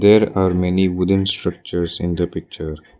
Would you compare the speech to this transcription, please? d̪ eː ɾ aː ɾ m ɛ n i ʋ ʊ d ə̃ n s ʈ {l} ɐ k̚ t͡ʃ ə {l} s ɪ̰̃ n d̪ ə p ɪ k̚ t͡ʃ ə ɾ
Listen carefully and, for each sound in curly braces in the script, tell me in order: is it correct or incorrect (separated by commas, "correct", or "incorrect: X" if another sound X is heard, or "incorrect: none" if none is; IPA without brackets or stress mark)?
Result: incorrect: ɾ, incorrect: ɾ